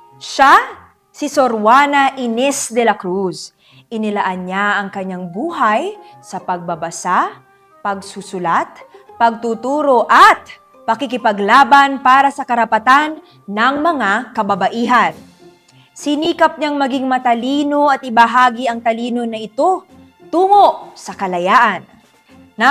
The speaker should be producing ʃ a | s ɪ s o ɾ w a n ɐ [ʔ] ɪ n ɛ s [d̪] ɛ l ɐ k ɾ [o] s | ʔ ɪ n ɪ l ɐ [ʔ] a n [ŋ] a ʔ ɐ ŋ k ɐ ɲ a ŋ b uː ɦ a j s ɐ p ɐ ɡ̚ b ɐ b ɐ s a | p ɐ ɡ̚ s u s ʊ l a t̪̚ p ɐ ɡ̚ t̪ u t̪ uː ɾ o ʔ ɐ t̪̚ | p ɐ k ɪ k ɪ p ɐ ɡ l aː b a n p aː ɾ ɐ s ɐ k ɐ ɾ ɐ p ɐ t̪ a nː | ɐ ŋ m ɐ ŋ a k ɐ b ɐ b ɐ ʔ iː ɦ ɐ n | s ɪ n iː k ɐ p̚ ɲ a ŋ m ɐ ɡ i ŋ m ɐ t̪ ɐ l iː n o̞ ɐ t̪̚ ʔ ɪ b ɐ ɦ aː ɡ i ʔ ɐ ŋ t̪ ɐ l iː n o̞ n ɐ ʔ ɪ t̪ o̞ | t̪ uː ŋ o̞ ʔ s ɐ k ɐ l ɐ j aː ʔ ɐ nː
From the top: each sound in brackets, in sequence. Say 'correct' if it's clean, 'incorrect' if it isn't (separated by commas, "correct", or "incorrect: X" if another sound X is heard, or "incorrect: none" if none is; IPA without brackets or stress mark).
correct, correct, incorrect: u, correct, incorrect: ɲ